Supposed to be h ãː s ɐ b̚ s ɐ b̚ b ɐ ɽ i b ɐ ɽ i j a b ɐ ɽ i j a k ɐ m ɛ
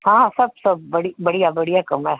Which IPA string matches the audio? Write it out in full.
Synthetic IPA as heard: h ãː s ɐ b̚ s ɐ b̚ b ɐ ɽ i b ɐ ɽ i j a b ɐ ɽ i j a k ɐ m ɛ